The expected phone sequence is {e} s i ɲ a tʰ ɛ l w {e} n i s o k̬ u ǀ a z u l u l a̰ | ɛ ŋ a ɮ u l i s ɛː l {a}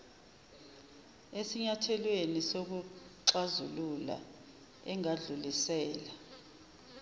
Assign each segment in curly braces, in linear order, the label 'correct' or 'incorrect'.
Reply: correct, correct, correct

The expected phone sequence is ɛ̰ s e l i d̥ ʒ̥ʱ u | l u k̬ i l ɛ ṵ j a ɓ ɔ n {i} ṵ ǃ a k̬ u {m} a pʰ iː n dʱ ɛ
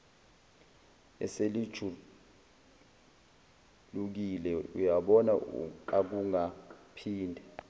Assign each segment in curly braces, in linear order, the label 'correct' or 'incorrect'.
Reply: incorrect, incorrect

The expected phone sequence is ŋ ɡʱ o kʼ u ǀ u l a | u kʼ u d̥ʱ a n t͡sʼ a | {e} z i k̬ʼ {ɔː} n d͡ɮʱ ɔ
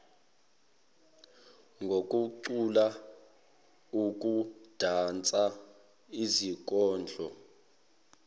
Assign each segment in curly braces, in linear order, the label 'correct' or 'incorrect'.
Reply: incorrect, correct

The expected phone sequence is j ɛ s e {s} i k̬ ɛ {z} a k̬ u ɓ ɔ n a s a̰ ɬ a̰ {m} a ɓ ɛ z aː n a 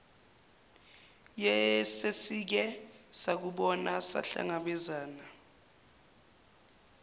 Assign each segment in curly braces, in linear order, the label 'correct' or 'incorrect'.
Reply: correct, incorrect, incorrect

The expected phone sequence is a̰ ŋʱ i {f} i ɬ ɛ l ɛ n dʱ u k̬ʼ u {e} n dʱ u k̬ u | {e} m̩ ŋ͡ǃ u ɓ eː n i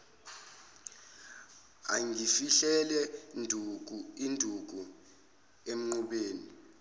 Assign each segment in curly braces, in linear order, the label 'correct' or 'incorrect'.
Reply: correct, incorrect, correct

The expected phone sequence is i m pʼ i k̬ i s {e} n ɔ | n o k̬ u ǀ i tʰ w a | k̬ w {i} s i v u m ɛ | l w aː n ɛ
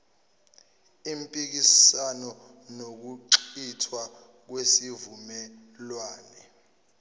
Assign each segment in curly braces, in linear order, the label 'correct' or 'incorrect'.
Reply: incorrect, incorrect

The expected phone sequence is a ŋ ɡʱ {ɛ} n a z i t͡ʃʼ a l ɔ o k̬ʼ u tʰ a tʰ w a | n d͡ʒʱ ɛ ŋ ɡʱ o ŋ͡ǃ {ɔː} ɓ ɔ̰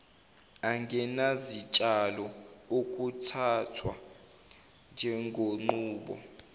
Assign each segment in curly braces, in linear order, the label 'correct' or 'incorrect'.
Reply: correct, incorrect

